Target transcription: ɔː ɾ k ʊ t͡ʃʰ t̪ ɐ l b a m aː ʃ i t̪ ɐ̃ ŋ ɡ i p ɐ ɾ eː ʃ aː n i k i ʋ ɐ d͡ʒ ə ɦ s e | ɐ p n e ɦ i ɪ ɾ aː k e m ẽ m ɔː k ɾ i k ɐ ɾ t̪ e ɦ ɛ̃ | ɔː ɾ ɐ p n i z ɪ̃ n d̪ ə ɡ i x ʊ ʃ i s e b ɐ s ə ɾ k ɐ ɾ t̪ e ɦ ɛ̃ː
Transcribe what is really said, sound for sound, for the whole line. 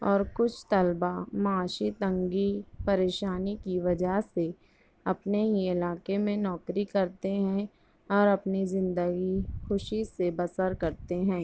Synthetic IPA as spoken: ɔː ɾ k ʊ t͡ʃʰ t̪ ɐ l b a m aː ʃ i t̪ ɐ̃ ŋ ɡ i p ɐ ɾ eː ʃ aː n i k i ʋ ɐ d͡ʒ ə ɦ s e | ɐ p n e ɦ i ɪ l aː k e m ẽ n ɔː k ɾ i k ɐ ɾ t̪ e ɦ ɛ̃ | ɔː ɾ ɐ p n i z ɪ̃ n d̪ ə ɡ i x ʊ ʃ i s e b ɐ s ə ɾ k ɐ ɾ t̪ e ɦ ɛ̃ː